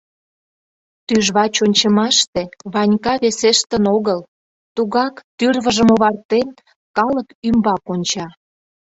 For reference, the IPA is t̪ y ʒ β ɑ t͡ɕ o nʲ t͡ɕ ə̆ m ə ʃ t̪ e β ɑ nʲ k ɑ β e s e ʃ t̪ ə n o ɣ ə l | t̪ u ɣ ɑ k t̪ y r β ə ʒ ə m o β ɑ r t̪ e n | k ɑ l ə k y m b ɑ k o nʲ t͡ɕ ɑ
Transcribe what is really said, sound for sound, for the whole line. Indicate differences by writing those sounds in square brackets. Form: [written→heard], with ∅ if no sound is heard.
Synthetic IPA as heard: t̪ y ʒ β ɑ t͡ɕ o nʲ t͡ɕ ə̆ m [ə→ɑ] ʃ t̪ e β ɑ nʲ k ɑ β e s e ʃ t̪ ə n o ɣ ə l | t̪ u ɣ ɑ k t̪ y r β ə ʒ ə m o β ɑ r t̪ e n | k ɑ l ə k y m b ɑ k o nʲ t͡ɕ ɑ